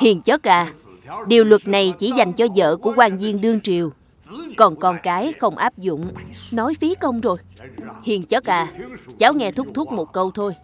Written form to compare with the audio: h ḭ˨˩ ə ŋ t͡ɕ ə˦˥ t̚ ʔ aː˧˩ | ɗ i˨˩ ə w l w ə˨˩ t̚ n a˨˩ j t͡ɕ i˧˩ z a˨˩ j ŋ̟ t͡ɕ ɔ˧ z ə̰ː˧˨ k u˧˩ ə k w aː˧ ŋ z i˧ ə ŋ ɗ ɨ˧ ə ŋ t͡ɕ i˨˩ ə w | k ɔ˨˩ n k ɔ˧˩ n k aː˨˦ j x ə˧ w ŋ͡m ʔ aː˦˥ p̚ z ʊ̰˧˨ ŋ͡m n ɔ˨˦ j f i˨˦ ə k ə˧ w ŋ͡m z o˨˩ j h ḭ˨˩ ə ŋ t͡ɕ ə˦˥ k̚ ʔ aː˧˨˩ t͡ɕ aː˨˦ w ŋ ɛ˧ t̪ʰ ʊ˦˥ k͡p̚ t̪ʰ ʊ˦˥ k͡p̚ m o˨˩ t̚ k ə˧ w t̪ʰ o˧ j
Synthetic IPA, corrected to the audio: h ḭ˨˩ ə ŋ t͡ɕ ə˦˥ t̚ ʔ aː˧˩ | ɗ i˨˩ ə w l w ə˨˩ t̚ n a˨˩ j t͡ɕ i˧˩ z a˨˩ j ŋ̟ t͡ɕ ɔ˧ z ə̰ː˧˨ k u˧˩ ə k w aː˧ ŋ z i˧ ə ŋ ɗ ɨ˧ ə ŋ t͡ɕ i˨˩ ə w | k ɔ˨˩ n k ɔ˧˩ n k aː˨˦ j x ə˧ w ŋ͡m ʔ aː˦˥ p̚ z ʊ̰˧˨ ŋ͡m n ɔ˨˦ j f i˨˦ ə k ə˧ w ŋ͡m z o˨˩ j h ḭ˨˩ ə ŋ t͡ɕ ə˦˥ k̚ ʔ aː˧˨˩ t͡ɕ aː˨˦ w ŋ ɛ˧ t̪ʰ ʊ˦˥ k͡p̚ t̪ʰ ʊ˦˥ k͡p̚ m o˨˩ t̚ k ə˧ w t̪ʰ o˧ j